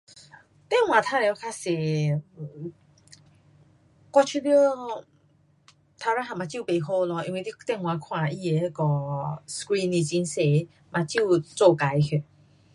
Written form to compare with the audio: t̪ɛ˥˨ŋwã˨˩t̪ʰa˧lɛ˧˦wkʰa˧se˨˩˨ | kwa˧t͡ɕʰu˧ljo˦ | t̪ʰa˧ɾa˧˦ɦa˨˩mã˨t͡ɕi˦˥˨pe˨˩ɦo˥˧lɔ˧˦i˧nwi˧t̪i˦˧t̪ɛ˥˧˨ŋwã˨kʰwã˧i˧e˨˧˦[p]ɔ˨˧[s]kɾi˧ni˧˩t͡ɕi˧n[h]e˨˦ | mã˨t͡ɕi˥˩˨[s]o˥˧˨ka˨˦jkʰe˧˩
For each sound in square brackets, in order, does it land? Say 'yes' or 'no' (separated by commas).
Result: no, yes, no, no